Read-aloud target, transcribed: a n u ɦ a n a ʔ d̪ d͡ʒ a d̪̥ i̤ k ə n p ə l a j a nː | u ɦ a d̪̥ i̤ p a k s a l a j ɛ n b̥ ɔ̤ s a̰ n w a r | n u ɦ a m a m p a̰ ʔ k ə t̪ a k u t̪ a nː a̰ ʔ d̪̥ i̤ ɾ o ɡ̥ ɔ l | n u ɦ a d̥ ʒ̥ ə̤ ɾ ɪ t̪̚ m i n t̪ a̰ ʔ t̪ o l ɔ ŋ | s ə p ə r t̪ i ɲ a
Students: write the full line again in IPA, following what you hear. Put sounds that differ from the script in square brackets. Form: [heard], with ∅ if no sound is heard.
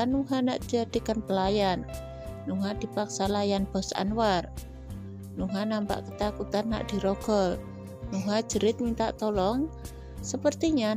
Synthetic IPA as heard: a n u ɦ a n a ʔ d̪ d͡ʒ a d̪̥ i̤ k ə n p ə l a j a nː | u ɦ a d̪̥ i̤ p a k s a l a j [a] n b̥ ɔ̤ s a̰ n w a r | n u ɦ a [n] a m p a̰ ʔ k ə t̪ a k u t̪ a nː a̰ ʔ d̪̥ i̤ ɾ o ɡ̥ ɔ l | n u ɦ a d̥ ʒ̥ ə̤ ɾ ɪ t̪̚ m i n t̪ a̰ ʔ t̪ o l ɔ ŋ | s ə p ə r t̪ i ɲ a